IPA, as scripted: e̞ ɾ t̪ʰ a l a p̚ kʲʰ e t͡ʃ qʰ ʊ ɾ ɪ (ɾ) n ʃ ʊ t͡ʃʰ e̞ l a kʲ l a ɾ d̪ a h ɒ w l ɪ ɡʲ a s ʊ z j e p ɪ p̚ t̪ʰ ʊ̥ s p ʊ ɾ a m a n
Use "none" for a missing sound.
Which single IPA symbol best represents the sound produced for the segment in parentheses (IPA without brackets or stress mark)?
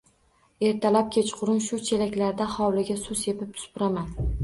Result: none